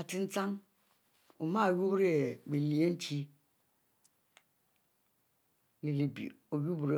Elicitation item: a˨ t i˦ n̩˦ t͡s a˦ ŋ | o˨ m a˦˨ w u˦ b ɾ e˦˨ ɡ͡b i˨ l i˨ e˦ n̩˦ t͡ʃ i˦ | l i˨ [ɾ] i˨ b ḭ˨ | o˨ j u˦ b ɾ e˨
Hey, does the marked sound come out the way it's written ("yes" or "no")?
no